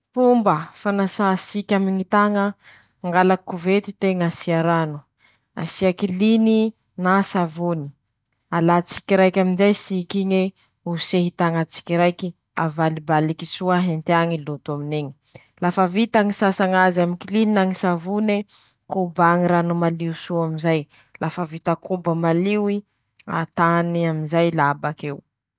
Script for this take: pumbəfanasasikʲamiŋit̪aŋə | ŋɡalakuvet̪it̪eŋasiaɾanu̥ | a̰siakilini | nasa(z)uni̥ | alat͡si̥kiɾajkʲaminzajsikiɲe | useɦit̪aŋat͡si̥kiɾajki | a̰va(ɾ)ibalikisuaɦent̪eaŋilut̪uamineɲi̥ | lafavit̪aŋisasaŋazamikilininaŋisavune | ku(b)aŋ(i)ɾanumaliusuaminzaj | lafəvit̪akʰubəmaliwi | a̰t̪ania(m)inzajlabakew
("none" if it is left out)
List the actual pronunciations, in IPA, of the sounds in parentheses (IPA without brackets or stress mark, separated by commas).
v, l, b, i, m